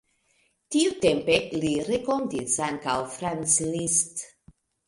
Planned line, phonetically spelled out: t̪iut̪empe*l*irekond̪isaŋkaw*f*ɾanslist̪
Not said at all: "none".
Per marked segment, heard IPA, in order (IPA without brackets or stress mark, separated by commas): l, f